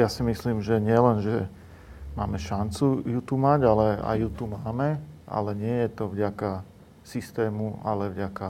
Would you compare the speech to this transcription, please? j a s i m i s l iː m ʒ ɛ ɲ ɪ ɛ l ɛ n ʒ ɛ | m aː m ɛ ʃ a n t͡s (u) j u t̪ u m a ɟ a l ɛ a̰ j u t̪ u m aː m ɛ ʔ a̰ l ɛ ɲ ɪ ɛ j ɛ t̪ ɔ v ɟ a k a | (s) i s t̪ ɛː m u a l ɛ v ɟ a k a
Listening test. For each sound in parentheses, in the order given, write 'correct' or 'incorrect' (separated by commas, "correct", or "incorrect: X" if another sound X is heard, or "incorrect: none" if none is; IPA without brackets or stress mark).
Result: correct, correct